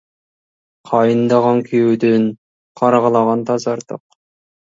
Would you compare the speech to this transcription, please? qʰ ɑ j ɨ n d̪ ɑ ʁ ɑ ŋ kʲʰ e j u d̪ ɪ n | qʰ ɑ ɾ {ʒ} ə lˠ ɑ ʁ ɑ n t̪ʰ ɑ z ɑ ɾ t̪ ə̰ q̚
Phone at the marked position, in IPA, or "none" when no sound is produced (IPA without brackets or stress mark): ʁ